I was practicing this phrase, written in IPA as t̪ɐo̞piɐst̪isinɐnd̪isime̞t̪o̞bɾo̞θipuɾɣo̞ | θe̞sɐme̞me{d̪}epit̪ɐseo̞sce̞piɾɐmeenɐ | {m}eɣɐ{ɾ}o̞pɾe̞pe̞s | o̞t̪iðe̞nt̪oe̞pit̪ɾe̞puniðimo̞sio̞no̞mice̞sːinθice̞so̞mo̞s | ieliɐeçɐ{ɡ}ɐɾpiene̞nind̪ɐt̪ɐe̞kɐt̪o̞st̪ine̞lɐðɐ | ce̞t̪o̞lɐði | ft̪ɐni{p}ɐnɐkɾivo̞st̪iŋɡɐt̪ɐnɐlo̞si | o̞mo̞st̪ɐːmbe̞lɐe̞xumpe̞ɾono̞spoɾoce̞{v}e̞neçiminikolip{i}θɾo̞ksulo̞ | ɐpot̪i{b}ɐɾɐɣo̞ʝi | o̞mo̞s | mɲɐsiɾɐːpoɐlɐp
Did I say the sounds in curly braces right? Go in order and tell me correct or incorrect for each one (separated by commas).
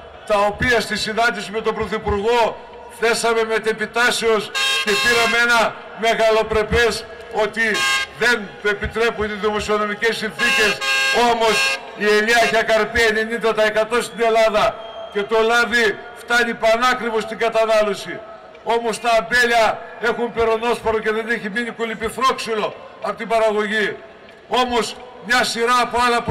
incorrect, correct, incorrect, incorrect, correct, incorrect, correct, correct